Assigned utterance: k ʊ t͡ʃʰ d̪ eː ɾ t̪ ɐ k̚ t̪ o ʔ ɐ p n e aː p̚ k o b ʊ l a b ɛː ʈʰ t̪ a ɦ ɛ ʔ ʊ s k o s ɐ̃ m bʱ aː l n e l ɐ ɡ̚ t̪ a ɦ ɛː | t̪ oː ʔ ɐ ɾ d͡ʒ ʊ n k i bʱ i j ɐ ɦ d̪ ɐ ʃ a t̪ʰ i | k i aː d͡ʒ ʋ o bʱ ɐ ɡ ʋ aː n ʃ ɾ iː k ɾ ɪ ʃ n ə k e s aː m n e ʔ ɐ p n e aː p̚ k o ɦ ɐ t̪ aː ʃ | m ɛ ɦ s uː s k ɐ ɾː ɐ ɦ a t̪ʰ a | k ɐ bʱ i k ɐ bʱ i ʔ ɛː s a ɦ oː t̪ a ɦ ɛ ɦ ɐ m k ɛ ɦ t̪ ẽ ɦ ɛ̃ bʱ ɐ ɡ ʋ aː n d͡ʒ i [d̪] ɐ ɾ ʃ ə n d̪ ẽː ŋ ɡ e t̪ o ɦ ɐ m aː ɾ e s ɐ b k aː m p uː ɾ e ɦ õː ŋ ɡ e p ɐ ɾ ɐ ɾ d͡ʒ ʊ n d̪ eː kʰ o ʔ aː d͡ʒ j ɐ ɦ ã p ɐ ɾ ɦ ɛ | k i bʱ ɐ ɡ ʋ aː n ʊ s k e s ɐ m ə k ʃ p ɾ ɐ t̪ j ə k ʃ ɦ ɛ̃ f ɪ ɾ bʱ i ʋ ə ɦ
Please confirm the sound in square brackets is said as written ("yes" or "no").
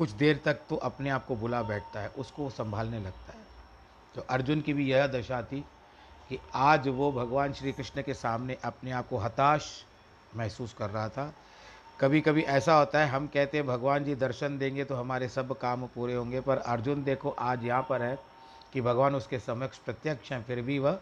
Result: yes